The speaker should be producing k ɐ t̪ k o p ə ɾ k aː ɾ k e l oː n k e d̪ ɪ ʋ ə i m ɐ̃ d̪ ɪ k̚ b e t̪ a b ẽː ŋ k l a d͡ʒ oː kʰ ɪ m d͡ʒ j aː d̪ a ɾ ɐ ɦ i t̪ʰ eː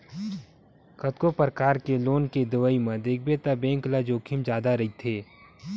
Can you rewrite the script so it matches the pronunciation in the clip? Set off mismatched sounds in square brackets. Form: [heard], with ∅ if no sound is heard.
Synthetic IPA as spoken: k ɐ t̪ k o p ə ɾ k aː ɾ k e l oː n k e d̪ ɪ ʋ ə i m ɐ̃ d̪ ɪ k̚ b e t̪ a b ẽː ŋ k l a d͡ʒ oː kʰ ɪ m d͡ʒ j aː d̪ a ɾ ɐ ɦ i t̪ʰ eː